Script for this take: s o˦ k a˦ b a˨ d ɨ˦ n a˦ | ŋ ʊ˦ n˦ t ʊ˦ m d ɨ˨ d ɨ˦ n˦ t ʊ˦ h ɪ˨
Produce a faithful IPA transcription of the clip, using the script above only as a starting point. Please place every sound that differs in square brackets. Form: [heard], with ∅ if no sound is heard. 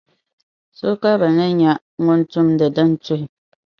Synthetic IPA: s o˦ k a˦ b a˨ [n] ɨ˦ [ɲ] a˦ | ŋ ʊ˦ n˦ t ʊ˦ m d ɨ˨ d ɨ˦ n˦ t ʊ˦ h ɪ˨